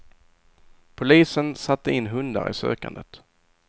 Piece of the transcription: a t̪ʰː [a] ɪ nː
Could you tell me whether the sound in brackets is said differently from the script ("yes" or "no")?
yes